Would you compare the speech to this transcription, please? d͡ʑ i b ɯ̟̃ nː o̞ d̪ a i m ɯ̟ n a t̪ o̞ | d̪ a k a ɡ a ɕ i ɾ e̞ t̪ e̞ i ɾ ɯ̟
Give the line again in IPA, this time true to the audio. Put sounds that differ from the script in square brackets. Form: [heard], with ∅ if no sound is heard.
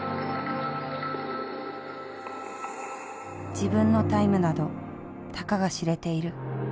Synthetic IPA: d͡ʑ i b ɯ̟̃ nː o̞ [t̪] a i m ɯ̟ n a [d̪] o̞ | [t̪] a k a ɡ a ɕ i ɾ e̞ t̪ e̞ i ɾ ɯ̟